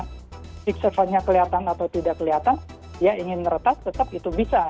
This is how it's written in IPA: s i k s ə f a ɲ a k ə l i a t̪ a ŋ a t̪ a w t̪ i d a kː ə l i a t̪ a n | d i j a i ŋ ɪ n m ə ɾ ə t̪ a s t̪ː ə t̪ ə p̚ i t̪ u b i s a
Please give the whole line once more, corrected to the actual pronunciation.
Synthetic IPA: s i k s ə f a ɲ a k ə l i a t̪ a n a t̪ a w t̪ i d a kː ə l i a t̪ a n | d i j a i ŋ ɪ n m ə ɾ ə t̪ a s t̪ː ə t̪ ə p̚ i t̪ u b i s a